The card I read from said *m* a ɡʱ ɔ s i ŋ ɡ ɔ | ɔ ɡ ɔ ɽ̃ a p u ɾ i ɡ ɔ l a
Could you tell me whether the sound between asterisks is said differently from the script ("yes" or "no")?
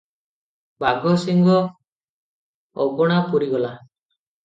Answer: yes